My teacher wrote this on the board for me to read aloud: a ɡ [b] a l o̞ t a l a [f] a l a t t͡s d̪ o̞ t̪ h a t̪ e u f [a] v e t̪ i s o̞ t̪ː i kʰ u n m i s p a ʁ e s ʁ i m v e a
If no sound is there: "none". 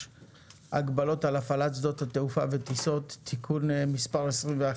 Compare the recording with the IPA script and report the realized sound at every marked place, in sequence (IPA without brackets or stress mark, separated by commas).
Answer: b, f, a